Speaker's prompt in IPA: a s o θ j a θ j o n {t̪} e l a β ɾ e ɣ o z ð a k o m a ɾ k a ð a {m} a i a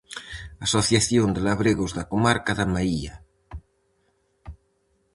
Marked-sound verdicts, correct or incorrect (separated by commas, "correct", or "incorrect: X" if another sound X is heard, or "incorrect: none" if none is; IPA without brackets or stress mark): incorrect: d̪, correct